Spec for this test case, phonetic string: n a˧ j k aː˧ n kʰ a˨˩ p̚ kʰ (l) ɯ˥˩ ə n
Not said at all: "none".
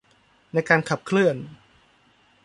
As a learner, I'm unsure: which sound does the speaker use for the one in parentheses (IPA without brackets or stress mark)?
l